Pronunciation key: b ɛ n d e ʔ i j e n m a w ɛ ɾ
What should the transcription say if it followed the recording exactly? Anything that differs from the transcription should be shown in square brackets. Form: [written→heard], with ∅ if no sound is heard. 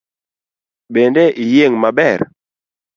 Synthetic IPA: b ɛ n d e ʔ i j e [n→ŋ] m a [w→b] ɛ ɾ

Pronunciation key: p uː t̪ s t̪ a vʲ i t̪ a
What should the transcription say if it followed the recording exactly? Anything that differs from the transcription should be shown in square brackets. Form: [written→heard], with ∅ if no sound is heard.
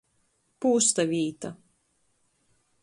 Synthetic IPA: p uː [t̪→∅] s t̪ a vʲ [i→iː] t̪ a

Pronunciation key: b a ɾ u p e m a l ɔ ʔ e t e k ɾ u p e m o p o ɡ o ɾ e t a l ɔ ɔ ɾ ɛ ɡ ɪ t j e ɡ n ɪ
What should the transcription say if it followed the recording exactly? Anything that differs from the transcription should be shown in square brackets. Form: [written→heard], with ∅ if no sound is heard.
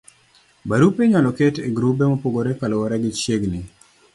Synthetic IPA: b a ɾ u p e [m→ɲ] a l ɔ [ʔ→k] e t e [k→ɡ] ɾ u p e m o p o ɡ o ɾ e [t→k] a l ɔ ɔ ɾ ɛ ɡ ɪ [t→t͡ʃ] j e ɡ n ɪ

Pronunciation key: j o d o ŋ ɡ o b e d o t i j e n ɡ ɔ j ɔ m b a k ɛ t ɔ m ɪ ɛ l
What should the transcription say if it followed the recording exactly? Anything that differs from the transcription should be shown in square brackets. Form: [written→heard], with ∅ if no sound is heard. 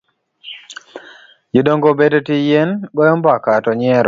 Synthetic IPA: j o d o ŋ ɡ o b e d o t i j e n ɡ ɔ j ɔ m b a k [ɛ→a] t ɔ [m→ɲ] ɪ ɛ [l→ɾ]

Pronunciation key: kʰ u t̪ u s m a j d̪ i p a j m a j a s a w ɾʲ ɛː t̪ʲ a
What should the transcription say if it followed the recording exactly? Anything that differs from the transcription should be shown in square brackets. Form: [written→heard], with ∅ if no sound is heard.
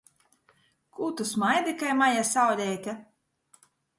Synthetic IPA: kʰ u t̪ u s m a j d̪ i [p→k] a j m a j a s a w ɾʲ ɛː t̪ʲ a

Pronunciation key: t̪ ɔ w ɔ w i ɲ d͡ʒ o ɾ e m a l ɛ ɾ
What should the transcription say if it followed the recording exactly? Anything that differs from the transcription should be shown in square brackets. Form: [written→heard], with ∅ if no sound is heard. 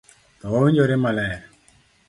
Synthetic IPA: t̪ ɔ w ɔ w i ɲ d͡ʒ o ɾ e m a l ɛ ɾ

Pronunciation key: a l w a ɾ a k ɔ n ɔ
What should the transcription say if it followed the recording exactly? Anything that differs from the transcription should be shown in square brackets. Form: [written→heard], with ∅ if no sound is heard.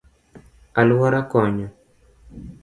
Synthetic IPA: a l w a ɾ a k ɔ [n→ɲ] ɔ

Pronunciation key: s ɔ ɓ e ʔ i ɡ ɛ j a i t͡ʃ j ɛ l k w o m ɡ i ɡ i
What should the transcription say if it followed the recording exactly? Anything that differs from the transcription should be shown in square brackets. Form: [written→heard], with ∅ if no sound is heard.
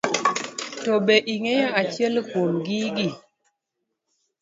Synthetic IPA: [s→t] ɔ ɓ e ʔ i [ɡ→ŋ] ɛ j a [i→a] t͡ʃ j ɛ l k w o m ɡ i ɡ i

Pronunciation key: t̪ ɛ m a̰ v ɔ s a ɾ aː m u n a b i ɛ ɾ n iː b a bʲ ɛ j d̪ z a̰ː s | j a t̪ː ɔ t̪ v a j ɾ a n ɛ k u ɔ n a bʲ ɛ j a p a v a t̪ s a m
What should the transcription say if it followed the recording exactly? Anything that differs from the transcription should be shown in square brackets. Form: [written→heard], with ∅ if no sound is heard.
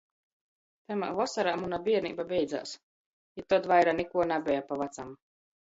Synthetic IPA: t̪ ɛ m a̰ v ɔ s a ɾ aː m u n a b i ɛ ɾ n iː b a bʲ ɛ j d̪ z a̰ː s | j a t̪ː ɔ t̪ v a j ɾ a n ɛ k u ɔ n a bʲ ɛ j a p a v a t̪ s a m

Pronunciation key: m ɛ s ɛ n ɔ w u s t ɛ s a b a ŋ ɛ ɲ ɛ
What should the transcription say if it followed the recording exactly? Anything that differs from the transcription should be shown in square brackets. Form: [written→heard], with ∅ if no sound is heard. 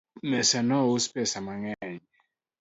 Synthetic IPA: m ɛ s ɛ n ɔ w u s [t→p] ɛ s a [b→m] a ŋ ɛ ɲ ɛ

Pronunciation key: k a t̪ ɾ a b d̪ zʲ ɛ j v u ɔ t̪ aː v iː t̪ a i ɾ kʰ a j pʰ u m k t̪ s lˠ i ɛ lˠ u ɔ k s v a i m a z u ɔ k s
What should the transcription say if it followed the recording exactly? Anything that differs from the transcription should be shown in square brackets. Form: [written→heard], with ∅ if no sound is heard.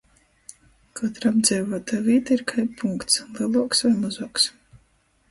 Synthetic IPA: k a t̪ ɾ a b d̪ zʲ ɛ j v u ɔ t̪ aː v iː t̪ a i ɾ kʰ a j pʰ u [m→ŋ] k t̪ s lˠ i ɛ lˠ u ɔ k s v a [i→j] m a z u ɔ k s

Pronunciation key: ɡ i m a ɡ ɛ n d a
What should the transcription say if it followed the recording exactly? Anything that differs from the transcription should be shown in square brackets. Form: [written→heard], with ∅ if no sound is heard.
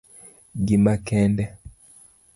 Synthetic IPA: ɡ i m a [ɡ→k] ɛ n d [a→ɛ]

